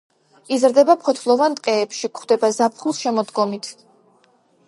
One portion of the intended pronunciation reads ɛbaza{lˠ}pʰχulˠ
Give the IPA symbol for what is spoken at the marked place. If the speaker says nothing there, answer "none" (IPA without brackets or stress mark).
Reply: none